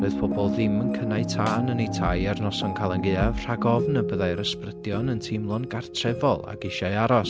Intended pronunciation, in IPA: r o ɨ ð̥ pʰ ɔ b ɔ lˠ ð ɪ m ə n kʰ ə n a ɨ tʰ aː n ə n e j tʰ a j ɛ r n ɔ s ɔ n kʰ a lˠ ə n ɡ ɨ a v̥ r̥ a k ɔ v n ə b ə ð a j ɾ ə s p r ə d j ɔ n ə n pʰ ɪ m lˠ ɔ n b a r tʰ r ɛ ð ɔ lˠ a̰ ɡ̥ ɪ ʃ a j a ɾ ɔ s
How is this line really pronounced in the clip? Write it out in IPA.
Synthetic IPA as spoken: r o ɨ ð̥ pʰ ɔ b ɔ lˠ ð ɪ m ə n kʰ ə n a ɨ tʰ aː n ə n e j tʰ a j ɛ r n ɔ s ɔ n kʰ a lˠ ə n ɡ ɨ a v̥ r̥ a ɡ ɔ v n ə b ə ð a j ɾ ə s p r ə d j ɔ n ə n tʰ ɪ m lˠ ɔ n ɡ a r tʰ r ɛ v ɔ lˠ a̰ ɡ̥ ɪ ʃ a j a ɾ ɔ s